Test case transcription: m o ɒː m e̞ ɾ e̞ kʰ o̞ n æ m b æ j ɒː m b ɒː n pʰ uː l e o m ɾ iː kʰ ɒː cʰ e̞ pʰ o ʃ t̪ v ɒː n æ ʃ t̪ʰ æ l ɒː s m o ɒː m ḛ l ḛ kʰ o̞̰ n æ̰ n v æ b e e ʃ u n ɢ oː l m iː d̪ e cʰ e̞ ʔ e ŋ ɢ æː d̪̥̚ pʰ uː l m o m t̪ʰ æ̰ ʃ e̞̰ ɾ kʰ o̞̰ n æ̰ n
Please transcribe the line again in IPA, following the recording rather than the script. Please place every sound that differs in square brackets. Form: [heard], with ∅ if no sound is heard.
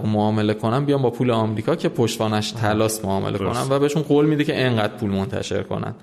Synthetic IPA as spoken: m o ɒː m e̞ [l] e̞ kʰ o̞ n æ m b [i] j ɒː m b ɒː [∅] pʰ uː l e [ɒ] m ɾ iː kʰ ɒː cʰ e̞ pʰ o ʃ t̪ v ɒː n æ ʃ t̪ʰ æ l ɒː s m o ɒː m ḛ l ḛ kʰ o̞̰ n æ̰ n v æ b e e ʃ u n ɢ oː l m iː d̪ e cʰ e̞ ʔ e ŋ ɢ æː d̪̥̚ pʰ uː l m o [n] t̪ʰ æ̰ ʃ e̞̰ ɾ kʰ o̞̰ n æ̰ n